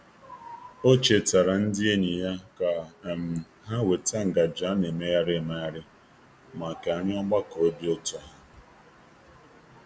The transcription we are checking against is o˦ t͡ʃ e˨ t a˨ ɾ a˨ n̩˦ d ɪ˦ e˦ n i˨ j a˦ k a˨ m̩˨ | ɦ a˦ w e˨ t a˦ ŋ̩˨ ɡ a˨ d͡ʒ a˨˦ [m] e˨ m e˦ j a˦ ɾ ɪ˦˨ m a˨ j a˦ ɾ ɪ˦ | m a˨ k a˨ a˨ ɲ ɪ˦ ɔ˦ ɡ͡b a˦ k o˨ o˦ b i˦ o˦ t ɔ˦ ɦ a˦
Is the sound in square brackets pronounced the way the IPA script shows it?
no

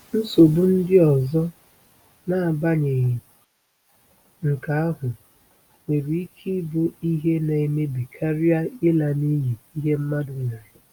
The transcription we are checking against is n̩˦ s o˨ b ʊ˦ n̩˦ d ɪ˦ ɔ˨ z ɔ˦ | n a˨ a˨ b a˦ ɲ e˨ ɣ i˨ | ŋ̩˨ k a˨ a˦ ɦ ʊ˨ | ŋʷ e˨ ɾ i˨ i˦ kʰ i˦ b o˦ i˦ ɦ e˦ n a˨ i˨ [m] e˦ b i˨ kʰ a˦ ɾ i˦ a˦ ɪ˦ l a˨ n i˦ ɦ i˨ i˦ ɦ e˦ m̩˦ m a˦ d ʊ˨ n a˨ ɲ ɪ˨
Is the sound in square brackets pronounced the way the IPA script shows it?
yes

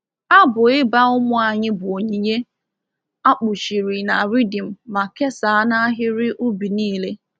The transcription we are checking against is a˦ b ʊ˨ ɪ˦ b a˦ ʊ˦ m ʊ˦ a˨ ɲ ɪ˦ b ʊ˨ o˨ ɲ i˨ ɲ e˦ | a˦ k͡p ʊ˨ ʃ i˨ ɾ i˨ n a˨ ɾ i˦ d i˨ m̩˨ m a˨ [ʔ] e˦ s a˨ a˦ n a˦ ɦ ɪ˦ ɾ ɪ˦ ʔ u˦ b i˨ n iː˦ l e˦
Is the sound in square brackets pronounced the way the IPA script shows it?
no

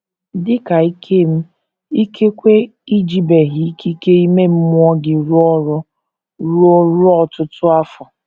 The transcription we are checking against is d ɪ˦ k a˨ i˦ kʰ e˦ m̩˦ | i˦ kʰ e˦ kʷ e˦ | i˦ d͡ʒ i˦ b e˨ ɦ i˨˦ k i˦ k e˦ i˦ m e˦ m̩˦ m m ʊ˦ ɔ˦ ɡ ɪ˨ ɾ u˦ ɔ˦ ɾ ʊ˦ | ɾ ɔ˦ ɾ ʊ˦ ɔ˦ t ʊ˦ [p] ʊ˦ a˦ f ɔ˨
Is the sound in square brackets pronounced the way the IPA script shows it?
no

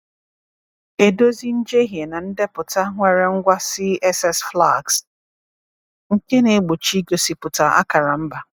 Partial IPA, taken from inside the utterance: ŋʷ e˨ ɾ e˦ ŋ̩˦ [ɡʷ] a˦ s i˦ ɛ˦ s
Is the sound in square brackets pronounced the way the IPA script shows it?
yes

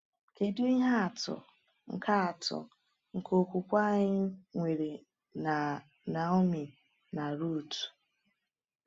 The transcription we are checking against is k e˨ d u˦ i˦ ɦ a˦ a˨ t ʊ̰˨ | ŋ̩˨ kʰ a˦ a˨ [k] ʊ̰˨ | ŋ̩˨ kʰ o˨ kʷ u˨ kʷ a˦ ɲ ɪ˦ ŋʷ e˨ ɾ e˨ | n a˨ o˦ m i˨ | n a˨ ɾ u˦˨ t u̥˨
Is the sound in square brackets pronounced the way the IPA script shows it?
no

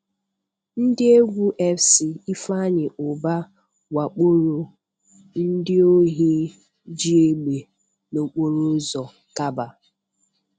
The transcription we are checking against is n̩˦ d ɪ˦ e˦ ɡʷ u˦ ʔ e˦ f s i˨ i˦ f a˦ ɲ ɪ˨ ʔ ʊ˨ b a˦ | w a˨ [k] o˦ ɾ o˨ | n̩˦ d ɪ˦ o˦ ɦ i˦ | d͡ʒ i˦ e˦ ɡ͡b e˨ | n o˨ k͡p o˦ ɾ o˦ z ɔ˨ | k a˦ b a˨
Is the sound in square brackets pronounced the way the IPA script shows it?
no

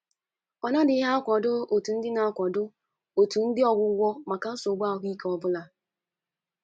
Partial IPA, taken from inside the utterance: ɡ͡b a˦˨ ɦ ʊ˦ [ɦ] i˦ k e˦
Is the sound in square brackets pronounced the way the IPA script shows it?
no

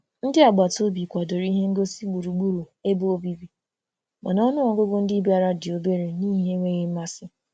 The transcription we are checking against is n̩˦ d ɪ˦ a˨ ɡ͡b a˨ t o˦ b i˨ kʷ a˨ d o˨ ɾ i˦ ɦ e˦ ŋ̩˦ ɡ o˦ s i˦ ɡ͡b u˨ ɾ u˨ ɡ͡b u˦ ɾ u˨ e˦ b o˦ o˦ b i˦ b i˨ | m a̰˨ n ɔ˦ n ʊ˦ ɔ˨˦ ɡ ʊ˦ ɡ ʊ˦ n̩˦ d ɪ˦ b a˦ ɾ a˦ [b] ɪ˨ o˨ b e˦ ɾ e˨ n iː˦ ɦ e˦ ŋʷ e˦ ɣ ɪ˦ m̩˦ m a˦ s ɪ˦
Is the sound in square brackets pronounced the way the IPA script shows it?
no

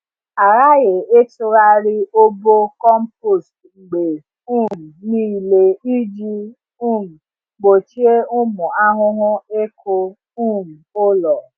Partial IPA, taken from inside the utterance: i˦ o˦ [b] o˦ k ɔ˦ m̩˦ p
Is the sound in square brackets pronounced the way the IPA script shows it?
yes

